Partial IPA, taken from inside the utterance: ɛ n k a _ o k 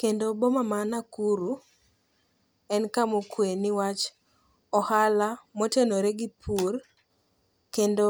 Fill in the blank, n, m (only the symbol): m